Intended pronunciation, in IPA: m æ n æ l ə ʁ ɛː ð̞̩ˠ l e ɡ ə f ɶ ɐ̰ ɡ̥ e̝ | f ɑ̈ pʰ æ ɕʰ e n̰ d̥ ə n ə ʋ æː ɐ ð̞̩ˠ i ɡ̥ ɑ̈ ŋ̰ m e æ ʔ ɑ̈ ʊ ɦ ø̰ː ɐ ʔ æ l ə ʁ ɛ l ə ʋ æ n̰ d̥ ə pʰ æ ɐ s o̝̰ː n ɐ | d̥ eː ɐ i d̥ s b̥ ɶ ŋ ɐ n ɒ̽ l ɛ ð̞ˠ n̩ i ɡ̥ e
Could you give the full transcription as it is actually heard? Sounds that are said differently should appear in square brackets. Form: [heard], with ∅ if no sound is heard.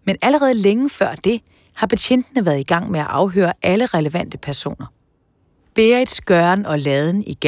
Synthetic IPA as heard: m [e] n æ l ə ʁ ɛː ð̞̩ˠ l e [ŋ] ə f ɶ ɐ̰ [d̥] e̝ | [h] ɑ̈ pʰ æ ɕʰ e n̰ d̥ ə n ə ʋ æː ɐ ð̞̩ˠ i ɡ̥ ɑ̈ ŋ̰ m e æ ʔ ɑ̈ ʊ ɦ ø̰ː ɐ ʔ æ l ə ʁ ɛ l ə ʋ æ n̰ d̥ ə pʰ æ ɐ s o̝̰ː n ɐ | [b̥] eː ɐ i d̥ s [ɡ̥] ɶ [∅] ɐ n ɒ̽ l ɛ ð̞ˠ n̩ i ɡ̥ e